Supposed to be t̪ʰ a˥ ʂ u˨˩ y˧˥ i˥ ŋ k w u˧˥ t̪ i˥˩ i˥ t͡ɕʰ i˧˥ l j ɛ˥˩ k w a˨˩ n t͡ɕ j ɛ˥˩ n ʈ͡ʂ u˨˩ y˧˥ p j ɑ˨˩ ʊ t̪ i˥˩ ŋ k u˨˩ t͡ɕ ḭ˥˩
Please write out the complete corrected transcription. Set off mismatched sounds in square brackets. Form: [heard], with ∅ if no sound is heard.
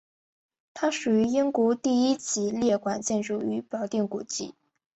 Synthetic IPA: t̪ʰ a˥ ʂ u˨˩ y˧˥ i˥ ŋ k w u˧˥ t̪ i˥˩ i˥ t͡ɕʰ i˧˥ l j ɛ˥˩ k w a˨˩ n t͡ɕ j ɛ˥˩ n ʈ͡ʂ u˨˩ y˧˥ p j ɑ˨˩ ʊ t̪ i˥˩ ŋ k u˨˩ t͡ɕ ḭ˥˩